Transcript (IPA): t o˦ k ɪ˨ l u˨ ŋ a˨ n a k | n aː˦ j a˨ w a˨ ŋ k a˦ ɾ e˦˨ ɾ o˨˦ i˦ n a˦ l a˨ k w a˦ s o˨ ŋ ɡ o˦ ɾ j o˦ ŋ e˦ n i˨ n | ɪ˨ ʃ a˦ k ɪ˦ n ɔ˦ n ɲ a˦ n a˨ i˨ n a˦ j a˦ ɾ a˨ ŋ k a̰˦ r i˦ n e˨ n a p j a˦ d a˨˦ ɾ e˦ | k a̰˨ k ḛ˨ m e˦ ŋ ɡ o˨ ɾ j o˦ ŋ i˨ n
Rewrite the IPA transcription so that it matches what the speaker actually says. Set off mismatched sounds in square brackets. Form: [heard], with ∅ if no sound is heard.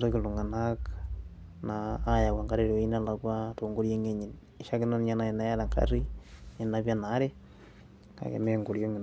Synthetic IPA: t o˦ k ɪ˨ l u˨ ŋ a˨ n a k | n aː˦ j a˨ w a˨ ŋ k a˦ ɾ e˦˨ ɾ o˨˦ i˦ n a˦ l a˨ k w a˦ [t] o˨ ŋ ɡ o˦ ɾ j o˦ ŋ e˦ [ɲ] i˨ n | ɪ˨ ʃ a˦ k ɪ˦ n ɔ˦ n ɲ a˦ n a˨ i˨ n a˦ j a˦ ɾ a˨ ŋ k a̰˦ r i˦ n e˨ n a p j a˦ [n] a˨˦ ɾ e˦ | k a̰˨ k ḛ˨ m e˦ ŋ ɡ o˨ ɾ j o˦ ŋ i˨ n

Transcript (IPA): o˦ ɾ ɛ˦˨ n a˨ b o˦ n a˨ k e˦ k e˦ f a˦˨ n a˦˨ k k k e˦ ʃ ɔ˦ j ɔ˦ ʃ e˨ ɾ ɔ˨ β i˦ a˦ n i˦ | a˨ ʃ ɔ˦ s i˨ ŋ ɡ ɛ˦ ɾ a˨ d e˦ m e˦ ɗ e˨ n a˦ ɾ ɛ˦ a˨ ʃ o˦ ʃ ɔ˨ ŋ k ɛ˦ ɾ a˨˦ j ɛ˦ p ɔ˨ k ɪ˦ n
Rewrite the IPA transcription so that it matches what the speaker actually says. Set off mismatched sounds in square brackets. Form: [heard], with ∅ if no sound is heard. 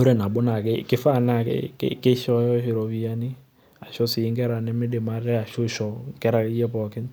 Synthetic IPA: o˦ ɾ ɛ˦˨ n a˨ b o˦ n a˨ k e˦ k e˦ f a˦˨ n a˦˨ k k k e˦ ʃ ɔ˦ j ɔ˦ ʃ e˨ ɾ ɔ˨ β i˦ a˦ n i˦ | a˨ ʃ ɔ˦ s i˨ ŋ ɡ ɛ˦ ɾ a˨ [n] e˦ m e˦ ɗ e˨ [m] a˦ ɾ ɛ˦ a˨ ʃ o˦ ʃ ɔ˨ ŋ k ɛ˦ ɾ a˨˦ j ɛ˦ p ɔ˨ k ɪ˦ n

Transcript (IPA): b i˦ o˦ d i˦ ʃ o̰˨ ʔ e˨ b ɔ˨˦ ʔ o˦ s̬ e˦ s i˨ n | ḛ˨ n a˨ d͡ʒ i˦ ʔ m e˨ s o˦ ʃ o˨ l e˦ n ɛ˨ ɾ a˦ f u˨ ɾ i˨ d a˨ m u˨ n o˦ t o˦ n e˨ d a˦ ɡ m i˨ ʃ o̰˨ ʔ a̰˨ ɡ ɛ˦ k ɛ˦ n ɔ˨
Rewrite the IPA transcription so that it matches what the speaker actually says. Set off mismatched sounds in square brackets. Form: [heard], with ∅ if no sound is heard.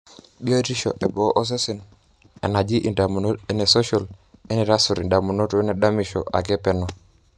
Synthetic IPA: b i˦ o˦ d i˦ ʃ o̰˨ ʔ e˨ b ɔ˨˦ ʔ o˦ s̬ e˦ s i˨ n | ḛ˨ n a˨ d͡ʒ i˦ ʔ [n] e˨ s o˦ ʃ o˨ l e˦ n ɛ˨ ɾ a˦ [s] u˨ ɾ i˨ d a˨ m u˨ n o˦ t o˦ n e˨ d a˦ [∅] m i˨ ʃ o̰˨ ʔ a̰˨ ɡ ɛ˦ [p] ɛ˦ n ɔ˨

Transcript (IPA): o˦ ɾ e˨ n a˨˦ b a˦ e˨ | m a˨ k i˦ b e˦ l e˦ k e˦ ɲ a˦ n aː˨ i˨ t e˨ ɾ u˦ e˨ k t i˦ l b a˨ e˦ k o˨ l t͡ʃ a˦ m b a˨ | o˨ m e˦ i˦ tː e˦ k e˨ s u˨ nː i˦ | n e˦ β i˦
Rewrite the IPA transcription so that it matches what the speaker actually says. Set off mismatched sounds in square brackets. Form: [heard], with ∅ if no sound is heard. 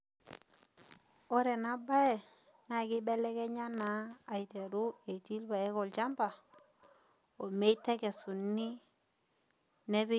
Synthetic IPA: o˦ ɾ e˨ n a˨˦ b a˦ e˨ | [n] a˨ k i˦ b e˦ l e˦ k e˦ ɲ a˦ n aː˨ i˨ t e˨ ɾ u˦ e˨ [∅] t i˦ l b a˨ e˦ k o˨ l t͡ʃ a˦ m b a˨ | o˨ m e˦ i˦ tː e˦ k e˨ s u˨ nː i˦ | n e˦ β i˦

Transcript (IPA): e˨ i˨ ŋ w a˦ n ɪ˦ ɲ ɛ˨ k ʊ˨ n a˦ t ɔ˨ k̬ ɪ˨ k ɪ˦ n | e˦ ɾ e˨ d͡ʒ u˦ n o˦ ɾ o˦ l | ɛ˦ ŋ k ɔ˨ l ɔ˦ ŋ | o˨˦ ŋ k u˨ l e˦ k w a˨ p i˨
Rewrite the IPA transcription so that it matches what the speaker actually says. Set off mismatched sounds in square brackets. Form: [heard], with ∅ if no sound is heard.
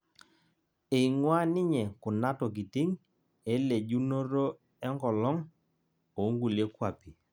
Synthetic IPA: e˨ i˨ ŋ w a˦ n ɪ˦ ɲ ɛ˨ k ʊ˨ n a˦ t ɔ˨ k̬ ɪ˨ [t] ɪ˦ [ŋ] | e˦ [l] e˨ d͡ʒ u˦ n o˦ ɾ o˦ [∅] | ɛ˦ ŋ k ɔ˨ l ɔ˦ ŋ | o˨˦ ŋ [ɡ] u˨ l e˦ k w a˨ p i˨

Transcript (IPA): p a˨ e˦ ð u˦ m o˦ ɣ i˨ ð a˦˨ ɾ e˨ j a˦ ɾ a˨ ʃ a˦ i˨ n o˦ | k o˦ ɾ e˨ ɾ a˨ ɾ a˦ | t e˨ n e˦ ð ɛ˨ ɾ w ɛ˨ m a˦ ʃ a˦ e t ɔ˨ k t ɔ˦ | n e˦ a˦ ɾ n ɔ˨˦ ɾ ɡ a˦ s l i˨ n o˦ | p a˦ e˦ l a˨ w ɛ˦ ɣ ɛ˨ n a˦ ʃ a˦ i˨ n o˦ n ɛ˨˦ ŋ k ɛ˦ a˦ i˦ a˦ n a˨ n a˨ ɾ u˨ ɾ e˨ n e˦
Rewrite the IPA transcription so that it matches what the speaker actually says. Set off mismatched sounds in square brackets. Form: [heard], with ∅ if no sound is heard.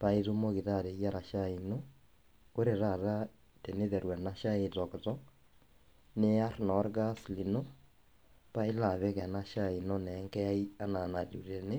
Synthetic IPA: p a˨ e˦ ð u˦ m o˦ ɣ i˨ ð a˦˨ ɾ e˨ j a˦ ɾ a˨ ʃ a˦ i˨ n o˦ | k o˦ ɾ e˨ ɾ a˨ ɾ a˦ | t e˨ n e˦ ð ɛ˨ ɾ w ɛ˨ [n] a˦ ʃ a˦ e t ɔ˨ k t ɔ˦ | n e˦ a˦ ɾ n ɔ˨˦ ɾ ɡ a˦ s l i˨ n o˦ | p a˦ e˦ l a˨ [β] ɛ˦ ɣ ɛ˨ n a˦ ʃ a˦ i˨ n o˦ n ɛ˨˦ ŋ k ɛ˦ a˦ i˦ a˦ n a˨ n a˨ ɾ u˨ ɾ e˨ n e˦

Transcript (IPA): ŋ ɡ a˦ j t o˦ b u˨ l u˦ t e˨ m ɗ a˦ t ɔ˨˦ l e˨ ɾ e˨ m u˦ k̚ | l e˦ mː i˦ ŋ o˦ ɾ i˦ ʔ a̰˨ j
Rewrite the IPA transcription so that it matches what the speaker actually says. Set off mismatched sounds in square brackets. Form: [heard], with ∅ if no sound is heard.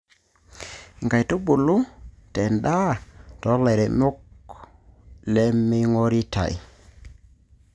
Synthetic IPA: ŋ ɡ [a˨] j t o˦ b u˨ l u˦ t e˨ [n] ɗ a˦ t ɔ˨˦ l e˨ ɾ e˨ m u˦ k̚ | l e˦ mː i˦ ŋ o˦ ɾ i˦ [t] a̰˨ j

